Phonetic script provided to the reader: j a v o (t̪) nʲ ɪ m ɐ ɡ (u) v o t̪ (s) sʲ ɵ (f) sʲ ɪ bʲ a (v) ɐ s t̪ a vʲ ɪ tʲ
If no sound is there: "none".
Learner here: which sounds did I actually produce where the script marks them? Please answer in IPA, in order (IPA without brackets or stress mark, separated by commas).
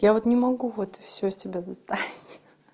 t̪, u, f, none, z